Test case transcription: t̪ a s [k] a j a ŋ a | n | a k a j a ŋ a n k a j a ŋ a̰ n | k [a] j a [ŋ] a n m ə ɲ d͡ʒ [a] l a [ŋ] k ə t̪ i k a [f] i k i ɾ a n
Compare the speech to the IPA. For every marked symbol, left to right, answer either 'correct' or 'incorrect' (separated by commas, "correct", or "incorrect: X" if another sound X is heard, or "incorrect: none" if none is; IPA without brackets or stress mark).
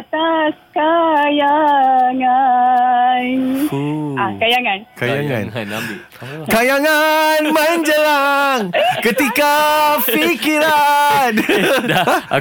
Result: correct, correct, correct, incorrect: ə, correct, correct